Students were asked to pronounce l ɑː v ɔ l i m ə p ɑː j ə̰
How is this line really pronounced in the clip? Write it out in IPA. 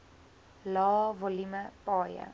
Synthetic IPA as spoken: l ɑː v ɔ l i m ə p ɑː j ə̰